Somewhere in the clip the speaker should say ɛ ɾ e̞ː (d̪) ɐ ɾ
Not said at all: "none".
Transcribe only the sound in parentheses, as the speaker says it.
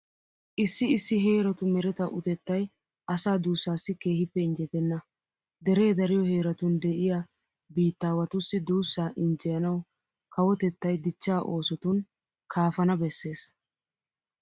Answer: d̪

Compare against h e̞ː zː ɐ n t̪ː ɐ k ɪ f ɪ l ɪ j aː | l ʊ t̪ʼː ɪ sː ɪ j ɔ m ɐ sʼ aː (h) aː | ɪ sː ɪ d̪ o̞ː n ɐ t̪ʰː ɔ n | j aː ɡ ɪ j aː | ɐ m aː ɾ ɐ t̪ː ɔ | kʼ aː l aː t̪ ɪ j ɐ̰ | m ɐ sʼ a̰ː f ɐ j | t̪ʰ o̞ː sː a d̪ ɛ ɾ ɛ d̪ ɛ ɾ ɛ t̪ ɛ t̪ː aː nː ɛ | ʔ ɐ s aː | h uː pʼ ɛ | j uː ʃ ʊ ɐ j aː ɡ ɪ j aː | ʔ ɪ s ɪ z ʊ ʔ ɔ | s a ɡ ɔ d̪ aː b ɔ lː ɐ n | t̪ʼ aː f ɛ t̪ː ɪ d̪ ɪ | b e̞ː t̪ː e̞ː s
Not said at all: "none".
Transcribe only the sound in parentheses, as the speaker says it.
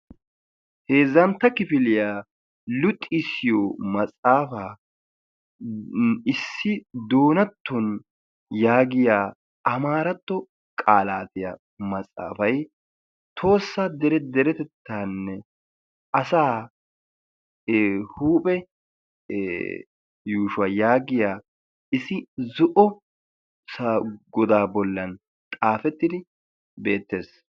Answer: f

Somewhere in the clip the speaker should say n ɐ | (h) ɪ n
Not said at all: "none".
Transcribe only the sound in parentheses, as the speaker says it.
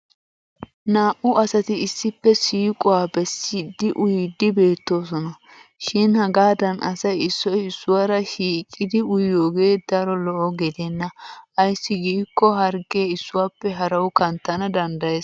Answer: ʃ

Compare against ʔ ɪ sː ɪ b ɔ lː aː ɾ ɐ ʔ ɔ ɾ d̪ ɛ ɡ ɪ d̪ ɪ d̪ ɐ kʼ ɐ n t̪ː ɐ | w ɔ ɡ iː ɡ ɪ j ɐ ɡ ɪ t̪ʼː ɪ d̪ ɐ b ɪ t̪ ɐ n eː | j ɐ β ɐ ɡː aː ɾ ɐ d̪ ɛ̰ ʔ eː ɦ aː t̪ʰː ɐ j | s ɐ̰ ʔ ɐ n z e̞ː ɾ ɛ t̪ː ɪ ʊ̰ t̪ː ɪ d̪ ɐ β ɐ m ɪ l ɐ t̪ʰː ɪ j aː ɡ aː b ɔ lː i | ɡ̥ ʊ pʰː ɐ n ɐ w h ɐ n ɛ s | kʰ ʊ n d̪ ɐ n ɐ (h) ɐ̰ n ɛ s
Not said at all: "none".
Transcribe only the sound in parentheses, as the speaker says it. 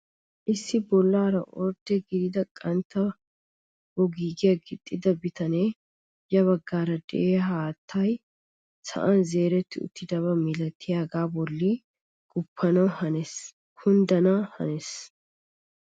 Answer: h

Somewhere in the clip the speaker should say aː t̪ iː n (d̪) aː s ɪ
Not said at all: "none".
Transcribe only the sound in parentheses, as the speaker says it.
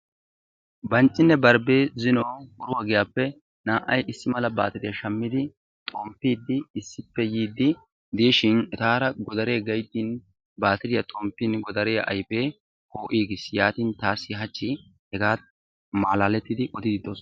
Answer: t̪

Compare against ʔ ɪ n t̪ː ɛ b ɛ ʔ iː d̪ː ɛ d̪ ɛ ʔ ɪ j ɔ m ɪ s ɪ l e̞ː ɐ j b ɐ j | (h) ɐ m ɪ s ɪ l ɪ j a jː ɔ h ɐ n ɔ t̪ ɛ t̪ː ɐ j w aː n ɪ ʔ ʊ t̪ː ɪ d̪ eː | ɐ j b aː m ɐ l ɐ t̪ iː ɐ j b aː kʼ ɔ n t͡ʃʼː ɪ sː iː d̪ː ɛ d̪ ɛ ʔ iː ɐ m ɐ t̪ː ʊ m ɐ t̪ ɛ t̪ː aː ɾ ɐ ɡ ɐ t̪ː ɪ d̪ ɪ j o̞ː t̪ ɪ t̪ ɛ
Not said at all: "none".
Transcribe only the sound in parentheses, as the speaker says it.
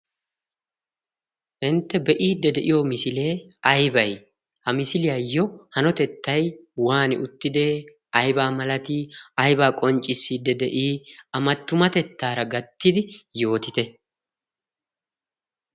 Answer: h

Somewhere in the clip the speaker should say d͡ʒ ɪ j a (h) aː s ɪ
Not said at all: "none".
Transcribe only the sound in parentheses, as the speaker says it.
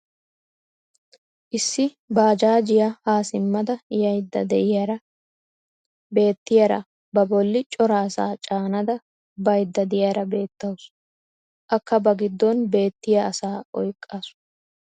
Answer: h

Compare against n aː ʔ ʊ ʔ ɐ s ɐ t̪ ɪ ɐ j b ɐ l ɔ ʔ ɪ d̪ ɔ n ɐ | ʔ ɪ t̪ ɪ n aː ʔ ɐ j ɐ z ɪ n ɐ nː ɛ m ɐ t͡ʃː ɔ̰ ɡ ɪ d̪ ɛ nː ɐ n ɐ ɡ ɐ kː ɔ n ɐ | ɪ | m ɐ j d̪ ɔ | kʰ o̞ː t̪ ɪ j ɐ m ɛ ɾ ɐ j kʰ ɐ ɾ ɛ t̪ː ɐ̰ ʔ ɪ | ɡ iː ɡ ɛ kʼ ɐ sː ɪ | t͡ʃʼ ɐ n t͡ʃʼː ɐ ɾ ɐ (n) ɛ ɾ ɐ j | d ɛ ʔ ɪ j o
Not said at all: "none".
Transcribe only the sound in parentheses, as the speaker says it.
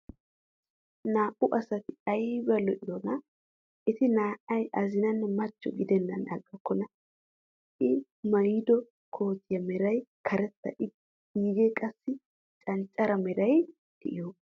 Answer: m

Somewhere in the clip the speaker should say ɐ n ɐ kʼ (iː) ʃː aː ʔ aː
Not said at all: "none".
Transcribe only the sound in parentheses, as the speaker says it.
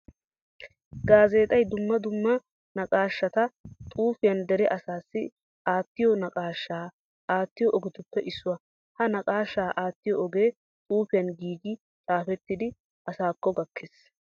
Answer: aː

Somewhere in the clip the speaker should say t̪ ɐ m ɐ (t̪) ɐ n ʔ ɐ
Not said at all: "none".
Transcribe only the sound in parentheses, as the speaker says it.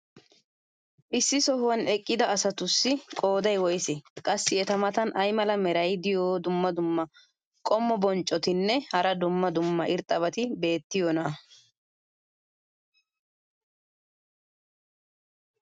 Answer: t̪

